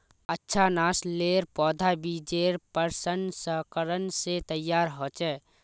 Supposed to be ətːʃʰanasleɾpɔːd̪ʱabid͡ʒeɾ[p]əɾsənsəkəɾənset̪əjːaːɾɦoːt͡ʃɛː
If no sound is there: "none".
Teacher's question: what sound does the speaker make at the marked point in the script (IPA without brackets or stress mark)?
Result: p